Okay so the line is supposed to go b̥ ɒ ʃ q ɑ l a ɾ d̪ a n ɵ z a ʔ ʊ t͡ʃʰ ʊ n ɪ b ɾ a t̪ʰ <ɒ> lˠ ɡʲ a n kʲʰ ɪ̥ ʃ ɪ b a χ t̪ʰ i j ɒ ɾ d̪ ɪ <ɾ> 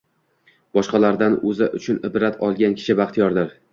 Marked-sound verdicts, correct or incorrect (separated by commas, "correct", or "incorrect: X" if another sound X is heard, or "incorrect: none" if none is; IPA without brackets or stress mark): correct, correct